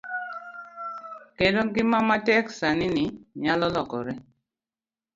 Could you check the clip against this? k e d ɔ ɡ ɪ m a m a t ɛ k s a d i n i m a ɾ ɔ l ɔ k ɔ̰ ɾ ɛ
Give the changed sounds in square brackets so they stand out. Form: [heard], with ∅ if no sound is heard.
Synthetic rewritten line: k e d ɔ ɡ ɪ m a m a t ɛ k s a [n] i n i [ɲ] a [l] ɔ l ɔ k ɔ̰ ɾ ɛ